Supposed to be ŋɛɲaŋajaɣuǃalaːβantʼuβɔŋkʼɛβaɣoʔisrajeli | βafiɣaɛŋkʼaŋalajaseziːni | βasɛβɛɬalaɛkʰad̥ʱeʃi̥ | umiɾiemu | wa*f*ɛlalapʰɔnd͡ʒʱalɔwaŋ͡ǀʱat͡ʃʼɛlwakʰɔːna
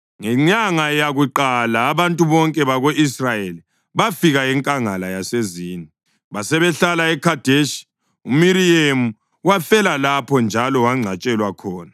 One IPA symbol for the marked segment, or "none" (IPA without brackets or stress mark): f